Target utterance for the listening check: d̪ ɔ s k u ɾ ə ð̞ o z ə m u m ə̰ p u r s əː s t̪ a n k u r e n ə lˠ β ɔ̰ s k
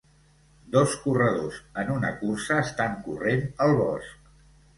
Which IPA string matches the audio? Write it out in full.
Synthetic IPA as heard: d̪ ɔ s k u r ə ð̞ o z ə n u n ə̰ k u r s əː s t̪ a ŋ k u r e n ə lˠ β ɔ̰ s k